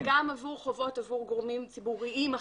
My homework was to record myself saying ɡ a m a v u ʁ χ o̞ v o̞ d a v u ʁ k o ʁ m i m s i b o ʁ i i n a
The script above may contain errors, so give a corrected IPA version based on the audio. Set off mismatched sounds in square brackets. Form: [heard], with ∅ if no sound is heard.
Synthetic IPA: ɡ a m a v u ʁ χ o̞ v o̞ [t] a v u ʁ [ɡ] o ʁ m i m [t͡s] i b [u] ʁ i i [m] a